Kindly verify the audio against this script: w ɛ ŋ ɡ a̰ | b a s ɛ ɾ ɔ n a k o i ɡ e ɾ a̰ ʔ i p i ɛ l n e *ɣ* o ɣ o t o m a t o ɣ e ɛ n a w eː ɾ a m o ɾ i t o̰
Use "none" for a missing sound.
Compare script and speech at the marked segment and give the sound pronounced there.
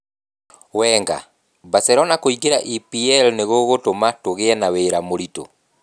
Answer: ɣ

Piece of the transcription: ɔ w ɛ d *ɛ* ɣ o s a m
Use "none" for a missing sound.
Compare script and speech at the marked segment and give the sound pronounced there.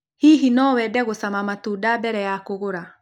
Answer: ɛ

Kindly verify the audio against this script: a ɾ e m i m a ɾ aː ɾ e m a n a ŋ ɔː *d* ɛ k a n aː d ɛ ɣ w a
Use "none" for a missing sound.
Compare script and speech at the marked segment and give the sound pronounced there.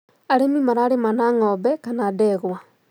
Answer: b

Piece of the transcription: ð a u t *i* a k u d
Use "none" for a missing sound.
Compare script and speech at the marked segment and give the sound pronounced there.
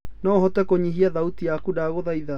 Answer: i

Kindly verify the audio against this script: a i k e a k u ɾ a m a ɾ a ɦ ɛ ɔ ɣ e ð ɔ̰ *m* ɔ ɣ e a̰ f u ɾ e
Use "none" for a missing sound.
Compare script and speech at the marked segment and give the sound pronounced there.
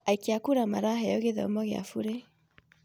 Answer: m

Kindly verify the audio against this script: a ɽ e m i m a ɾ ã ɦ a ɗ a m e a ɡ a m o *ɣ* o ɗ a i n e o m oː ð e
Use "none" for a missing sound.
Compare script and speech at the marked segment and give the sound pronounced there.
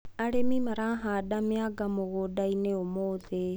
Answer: ɣ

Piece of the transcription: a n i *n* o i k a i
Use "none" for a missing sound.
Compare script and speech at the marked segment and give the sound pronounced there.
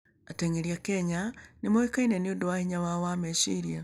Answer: m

